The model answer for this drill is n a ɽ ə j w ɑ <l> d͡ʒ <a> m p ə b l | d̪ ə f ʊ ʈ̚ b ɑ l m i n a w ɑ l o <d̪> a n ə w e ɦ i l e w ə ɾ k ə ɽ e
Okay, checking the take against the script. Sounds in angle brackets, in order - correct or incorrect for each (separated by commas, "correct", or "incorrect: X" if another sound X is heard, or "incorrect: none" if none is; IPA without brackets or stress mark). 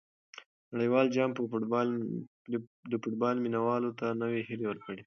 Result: correct, incorrect: ɑ, incorrect: t̪